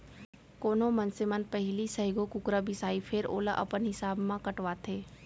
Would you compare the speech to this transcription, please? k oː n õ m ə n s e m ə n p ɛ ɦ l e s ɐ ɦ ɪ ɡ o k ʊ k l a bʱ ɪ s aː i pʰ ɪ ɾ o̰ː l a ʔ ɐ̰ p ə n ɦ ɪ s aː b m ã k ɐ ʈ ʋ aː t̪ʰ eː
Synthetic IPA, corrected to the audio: k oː n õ m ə n s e m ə n p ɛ ɦ l i s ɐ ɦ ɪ ɡ o k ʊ k ɾ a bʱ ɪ s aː i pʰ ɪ ɾ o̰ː l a ʔ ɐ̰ p ə n ɦ ɪ s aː b m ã k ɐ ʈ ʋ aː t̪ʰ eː